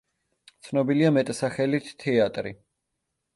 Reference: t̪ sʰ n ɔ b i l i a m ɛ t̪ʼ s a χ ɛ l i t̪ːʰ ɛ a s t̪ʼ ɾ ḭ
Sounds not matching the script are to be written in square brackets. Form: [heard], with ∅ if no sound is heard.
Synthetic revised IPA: t̪ sʰ n ɔ b i l i a m ɛ t̪ʼ s a χ ɛ l i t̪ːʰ ɛ a [∅] t̪ʼ ɾ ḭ